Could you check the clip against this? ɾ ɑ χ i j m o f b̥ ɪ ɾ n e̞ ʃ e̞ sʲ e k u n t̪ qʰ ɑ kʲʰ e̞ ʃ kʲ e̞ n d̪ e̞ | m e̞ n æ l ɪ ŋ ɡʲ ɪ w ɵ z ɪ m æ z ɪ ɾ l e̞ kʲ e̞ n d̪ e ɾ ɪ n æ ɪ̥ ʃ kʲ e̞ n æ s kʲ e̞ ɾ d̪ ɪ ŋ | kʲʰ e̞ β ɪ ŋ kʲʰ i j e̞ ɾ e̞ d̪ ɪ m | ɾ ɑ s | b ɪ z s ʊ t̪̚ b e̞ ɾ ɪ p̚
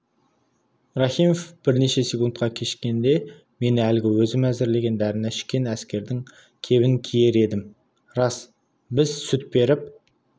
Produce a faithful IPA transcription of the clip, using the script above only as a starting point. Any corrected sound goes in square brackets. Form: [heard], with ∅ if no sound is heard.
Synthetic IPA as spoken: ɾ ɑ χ i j m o f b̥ ɪ ɾ n e̞ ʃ e̞ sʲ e k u n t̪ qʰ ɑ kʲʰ e̞ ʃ kʲ e̞ n d̪ e̞ | m e̞ n æ l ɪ [∅] ɡʲ ɪ w ɵ z ɪ m æ z ɪ ɾ l e̞ [ɡʲ] e̞ n d̪ [æ] ɾ ɪ n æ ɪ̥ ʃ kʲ e̞ n æ s kʲ e̞ ɾ d̪ ɪ ŋ | kʲʰ e̞ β ɪ ŋ kʲʰ i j e̞ ɾ e̞ d̪ ɪ m | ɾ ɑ s | b ɪ z s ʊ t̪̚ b e̞ ɾ ɪ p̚